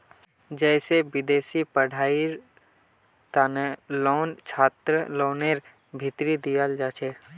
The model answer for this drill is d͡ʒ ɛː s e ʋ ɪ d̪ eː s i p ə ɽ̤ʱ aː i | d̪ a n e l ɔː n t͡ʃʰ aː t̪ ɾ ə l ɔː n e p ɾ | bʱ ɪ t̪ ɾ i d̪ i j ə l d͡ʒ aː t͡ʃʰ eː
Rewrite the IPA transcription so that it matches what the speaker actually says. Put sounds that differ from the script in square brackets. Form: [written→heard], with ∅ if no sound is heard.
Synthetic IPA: d͡ʒ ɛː s e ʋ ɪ d̪ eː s i p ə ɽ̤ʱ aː i | [d̪→t̪] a n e l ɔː n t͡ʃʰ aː t̪ ɾ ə l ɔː n e [p→∅] ɾ | bʱ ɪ t̪ ɾ i d̪ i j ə l d͡ʒ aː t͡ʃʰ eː